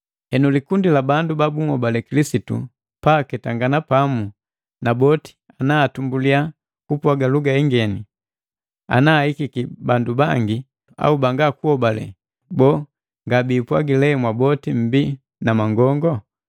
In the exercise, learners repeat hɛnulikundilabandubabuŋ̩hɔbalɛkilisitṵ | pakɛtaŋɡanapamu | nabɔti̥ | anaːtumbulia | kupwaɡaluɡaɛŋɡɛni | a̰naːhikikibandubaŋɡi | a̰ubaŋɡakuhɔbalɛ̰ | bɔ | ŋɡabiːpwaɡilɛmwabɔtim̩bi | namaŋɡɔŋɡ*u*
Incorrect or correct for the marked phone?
incorrect: ɔ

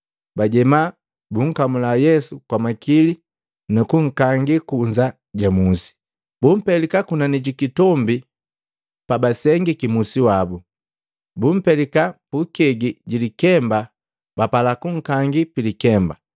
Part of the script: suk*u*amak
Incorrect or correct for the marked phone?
incorrect: w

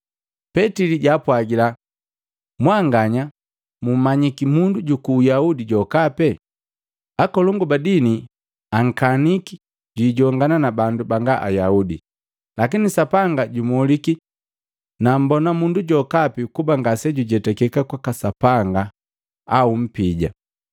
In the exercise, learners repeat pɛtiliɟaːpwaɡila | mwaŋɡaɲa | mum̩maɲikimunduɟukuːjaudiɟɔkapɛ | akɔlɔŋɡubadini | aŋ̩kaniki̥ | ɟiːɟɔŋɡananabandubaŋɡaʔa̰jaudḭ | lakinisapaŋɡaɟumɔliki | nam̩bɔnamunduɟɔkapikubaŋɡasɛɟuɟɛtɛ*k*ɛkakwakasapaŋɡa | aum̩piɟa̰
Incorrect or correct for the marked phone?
correct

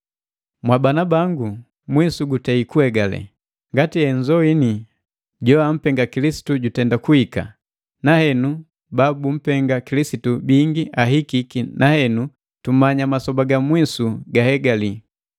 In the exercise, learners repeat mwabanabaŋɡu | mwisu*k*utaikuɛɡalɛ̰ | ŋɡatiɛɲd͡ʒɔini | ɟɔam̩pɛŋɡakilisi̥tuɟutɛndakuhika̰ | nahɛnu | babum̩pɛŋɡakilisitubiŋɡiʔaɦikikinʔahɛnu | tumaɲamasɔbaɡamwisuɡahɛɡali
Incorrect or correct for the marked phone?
incorrect: ɡ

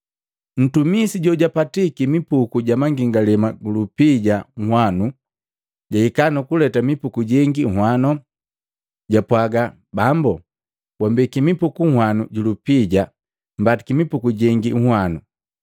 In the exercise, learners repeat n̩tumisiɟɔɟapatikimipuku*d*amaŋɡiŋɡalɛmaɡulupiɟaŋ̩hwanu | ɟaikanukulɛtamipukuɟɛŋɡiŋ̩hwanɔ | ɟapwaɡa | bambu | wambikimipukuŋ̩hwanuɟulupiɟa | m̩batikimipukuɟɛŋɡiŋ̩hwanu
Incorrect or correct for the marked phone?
incorrect: ɟ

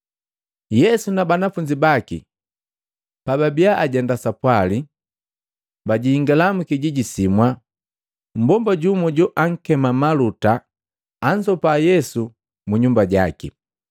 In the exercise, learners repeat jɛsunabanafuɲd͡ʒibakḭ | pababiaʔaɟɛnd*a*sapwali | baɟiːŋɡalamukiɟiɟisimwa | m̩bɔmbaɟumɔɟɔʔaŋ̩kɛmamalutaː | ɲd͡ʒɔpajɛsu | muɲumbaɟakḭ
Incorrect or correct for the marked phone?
correct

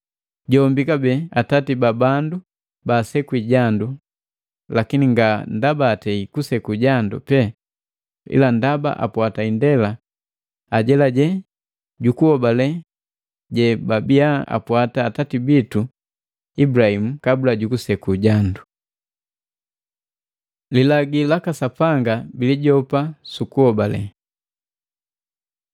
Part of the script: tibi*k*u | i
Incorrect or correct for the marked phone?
incorrect: t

